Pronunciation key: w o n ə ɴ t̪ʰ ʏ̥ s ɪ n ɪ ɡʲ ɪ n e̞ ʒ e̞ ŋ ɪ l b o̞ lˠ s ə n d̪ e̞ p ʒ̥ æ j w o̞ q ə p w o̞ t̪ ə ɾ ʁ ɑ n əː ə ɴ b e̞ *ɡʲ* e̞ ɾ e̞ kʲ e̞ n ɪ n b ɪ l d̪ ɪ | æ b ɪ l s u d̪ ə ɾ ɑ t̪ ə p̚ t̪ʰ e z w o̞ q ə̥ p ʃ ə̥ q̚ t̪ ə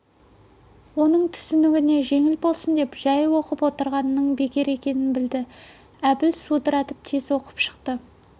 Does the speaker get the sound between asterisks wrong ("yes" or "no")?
yes